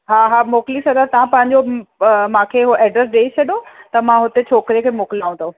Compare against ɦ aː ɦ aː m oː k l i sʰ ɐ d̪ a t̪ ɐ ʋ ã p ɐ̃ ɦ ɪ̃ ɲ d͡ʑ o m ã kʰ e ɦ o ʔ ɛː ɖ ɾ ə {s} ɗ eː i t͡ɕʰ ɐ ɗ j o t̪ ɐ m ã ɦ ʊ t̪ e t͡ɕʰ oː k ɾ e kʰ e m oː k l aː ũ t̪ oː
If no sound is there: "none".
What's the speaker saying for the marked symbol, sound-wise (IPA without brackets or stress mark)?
s